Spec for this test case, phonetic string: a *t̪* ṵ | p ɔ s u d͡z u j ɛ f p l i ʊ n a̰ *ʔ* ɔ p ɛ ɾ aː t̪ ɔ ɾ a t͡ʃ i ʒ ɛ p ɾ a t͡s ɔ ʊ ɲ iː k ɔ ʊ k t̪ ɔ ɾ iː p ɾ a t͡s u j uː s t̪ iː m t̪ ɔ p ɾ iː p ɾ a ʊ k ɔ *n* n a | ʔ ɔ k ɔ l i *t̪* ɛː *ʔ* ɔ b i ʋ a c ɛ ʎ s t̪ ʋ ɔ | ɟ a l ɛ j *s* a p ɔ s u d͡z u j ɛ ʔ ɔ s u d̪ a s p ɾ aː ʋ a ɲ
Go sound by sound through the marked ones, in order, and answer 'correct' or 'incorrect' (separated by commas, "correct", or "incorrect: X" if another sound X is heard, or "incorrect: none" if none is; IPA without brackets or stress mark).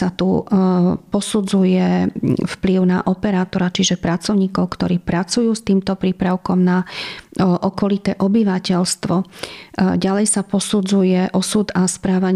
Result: correct, correct, incorrect: m, correct, correct, correct